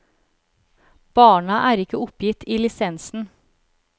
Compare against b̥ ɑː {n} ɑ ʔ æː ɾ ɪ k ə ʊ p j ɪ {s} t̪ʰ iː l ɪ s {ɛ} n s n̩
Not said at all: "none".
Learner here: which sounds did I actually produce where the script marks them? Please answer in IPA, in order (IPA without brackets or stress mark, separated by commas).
ɳ, none, ɛ